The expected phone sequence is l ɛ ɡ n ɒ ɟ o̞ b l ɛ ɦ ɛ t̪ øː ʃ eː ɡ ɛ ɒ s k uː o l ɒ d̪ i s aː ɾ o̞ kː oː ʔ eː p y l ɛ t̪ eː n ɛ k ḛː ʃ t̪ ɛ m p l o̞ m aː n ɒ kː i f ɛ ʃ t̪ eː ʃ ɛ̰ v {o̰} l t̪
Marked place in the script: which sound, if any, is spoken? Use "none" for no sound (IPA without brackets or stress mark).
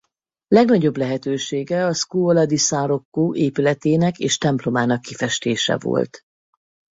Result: o̰